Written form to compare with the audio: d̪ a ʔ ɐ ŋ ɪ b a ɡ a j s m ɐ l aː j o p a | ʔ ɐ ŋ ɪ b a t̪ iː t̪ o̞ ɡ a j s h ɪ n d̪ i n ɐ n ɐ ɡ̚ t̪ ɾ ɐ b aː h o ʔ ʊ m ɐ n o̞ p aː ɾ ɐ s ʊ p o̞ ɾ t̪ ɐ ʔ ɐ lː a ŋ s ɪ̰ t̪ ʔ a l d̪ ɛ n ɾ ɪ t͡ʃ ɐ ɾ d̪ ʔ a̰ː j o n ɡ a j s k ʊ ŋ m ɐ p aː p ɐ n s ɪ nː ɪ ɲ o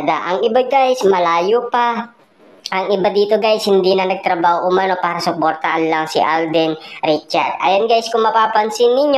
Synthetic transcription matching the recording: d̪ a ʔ ɐ ŋ ɪ b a ɡ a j s m ɐ l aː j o p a | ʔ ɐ ŋ ɪ b a d̪ iː t̪ o̞ ɡ a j s h ɪ n d̪ i n ɐ n ɐ ɡ̚ t̪ ɾ ɐ b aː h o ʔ ʊ m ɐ n o̞ p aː ɾ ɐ s ʊ p o̞ ɾ t̪ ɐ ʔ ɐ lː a ŋ s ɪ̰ ʔ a l d̪ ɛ n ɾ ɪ t͡ʃ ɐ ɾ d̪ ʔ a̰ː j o n ɡ a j s k ʊ ŋ m ɐ p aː p ɐ n s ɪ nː ɪ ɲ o